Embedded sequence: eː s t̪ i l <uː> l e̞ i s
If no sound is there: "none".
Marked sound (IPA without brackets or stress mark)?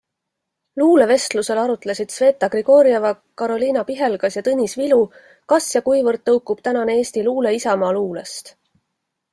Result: uː